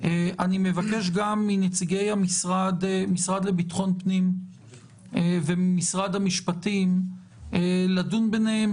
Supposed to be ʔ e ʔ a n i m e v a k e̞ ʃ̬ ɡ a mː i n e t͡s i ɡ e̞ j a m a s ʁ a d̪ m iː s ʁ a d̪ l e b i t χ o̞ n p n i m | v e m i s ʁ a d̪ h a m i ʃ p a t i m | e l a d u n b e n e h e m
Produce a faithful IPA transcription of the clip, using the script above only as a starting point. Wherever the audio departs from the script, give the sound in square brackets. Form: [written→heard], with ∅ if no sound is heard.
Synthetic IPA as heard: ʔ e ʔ a n i m e v a k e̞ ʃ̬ ɡ a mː i n e t͡s i ɡ e̞ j a m [a→i] s ʁ a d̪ m [iː→i] s ʁ a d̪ l e b i t χ o̞ n p n i m | v e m i s ʁ a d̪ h a m i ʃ p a t i m | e l a d u n b e n e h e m